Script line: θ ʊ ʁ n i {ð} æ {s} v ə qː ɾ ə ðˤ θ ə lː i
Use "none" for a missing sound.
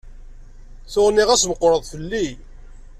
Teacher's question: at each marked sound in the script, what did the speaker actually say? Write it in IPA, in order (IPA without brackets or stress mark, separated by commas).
ʁ, s